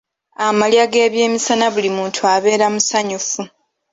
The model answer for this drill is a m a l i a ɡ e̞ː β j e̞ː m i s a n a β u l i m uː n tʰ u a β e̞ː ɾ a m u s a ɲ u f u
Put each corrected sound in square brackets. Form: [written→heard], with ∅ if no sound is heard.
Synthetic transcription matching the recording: a m a l [i→j] a ɡ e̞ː β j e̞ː m i s a n a β u l i m uː n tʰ u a β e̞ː ɾ a m u s a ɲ u f u